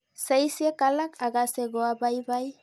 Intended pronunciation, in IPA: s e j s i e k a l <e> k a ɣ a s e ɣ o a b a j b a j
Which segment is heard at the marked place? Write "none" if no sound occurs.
a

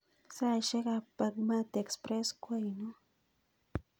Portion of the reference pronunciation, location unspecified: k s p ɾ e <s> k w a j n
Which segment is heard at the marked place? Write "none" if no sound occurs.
s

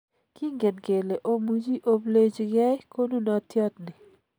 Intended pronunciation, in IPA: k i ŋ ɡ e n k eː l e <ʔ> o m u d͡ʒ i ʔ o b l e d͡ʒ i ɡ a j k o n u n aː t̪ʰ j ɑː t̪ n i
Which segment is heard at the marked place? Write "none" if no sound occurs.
ʔ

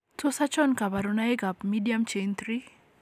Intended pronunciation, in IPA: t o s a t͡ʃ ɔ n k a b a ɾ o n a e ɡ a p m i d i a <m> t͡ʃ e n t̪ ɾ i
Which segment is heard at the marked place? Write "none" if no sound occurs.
m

